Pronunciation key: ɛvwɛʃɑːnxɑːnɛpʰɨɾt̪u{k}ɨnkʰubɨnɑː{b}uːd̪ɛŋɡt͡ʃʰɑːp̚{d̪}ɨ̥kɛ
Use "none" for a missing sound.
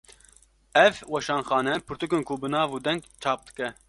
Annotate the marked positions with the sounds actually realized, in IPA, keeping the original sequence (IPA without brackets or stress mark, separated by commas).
k, v, d̪